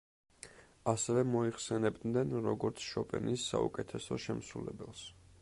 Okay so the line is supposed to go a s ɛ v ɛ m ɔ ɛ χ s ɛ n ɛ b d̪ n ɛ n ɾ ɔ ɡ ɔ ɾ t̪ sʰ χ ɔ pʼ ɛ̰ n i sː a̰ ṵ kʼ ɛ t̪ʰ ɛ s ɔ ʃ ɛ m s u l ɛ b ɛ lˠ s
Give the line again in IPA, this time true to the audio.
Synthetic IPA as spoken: a s ɛ v ɛ m ɔ i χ s ɛ n ɛ b d̪ n ɛ n ɾ ɔ ɡ ɔ ɾ t̪ sʰ ʃ ɔ pʼ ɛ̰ n i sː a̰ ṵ kʼ ɛ t̪ʰ ɛ s ɔ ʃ ɛ m s u l ɛ b ɛ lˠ s